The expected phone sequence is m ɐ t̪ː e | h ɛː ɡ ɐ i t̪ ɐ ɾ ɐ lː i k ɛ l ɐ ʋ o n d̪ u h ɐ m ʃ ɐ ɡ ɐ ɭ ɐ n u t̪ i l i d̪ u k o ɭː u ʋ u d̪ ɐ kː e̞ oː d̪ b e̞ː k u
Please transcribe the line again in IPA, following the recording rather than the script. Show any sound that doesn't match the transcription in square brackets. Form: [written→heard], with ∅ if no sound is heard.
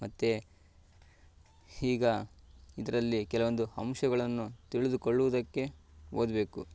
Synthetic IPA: m ɐ t̪ː e | h [ɛː→iː] ɡ ɐ i [t̪→d̪] ɐ ɾ ɐ lː i k ɛ l ɐ ʋ o n d̪ u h ɐ m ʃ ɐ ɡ ɐ ɭ ɐ [n→nː] u t̪ i [l→ɭ] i d̪ u k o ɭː u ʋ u d̪ ɐ kː e̞ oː d̪ b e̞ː k u